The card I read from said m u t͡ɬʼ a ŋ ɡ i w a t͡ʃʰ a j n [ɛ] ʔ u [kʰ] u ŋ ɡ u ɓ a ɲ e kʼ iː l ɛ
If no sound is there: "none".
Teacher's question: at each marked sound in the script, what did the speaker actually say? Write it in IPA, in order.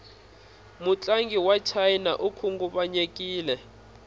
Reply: a, kʰ

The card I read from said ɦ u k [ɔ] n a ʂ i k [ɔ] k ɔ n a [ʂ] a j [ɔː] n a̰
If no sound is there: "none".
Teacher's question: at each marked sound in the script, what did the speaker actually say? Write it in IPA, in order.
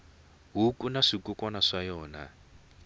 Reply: u, u, ʂ, ɔː

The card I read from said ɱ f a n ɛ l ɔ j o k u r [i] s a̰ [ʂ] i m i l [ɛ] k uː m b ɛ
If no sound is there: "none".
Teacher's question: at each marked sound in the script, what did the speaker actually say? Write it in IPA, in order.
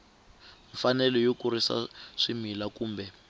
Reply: i, ʂ, a

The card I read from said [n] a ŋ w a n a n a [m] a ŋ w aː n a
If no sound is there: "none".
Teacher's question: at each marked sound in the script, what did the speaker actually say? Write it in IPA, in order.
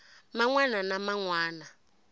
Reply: m, m

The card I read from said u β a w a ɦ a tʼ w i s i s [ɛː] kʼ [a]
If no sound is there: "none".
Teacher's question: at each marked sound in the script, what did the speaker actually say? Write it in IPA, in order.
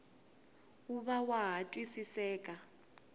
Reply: ɛː, a

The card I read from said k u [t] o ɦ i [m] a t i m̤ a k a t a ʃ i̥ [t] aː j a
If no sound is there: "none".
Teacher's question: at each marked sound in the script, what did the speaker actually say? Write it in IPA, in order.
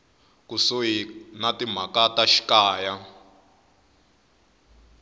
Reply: s, n, k

